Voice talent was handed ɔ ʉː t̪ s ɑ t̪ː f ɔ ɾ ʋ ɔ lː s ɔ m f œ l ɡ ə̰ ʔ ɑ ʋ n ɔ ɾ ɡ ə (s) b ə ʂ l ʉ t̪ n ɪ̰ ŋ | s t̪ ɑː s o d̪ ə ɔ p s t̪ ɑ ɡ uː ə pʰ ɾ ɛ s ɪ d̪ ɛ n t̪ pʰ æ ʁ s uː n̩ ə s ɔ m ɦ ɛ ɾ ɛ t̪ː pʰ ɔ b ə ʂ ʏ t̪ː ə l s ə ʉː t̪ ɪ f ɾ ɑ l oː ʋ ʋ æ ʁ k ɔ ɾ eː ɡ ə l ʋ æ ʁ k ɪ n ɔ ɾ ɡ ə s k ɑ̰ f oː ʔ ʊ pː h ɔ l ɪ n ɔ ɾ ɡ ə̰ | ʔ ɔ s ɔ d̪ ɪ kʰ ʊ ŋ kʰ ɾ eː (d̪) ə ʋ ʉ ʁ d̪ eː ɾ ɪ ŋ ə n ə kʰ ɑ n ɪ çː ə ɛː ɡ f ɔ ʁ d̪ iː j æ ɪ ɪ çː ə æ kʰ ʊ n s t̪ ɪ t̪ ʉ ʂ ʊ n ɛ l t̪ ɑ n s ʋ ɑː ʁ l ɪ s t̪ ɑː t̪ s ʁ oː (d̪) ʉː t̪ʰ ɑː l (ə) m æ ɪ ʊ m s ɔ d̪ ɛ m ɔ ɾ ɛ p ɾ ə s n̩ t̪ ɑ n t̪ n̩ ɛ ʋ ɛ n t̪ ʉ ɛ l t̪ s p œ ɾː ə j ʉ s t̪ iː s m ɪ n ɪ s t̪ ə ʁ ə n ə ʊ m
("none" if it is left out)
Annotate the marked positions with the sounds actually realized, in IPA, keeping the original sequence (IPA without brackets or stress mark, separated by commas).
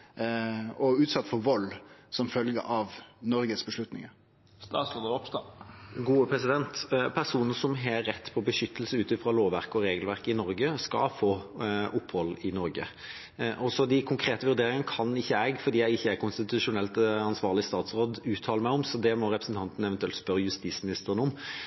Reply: s, t̪, d̪, ə